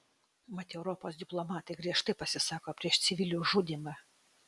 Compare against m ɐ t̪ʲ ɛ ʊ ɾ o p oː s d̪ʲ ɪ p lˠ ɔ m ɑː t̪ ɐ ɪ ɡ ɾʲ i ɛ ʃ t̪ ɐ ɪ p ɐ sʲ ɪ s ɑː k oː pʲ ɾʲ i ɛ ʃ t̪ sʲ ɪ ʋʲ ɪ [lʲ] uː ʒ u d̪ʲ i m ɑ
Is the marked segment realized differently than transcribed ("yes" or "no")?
no